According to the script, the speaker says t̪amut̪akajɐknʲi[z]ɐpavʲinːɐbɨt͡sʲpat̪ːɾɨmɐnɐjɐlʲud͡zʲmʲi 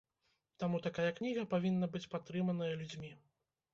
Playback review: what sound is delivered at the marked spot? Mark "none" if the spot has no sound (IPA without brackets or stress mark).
ɣ